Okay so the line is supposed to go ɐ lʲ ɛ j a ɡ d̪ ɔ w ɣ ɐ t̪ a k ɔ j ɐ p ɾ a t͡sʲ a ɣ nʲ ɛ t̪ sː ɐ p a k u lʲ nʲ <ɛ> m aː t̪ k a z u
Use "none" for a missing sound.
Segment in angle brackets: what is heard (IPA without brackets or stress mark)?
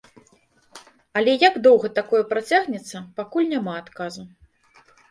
a